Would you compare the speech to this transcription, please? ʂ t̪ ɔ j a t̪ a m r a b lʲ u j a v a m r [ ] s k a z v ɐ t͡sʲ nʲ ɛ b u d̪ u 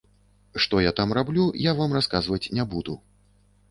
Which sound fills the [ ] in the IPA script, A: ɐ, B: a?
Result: B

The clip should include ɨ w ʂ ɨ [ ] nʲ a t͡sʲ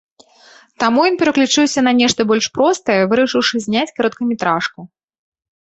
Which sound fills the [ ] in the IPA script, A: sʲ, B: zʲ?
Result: B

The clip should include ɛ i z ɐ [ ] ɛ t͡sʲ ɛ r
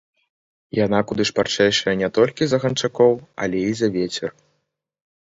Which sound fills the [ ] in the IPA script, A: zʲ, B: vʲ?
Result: B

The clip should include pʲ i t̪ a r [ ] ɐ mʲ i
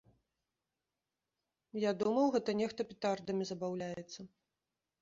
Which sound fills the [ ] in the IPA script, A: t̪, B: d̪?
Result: B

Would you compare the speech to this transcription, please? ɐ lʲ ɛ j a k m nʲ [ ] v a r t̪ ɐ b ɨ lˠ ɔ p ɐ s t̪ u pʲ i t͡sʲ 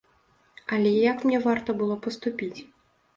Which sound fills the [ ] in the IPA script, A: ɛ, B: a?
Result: A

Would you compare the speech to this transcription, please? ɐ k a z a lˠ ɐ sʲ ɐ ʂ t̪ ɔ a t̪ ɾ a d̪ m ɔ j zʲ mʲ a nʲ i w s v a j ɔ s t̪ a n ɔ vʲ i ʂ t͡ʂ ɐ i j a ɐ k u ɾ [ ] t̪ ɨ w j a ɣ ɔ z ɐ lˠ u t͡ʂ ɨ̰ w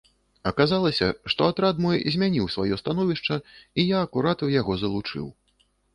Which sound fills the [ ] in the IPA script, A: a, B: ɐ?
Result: A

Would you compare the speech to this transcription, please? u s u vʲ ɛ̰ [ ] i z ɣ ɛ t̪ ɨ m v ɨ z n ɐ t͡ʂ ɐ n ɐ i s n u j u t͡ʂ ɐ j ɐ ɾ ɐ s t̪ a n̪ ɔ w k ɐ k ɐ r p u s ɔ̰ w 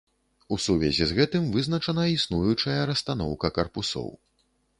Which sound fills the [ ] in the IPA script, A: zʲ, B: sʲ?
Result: A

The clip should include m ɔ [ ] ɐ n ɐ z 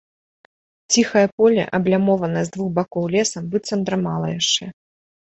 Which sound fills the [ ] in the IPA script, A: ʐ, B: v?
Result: B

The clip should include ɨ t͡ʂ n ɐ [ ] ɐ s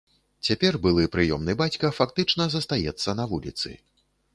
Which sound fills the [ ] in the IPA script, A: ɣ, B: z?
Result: B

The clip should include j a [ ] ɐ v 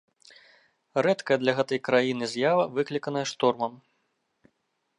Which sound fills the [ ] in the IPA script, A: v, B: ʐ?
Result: A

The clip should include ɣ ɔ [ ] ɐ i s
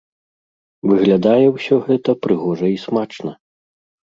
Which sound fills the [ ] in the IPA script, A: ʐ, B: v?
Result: A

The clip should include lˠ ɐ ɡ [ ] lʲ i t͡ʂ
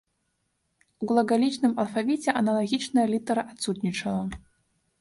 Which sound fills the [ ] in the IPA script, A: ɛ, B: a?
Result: B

